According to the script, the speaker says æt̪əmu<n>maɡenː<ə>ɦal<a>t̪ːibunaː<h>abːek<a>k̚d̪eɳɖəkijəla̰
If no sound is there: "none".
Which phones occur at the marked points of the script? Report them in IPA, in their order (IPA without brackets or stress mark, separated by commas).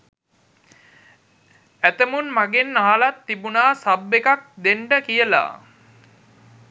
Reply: n, a, a, s, a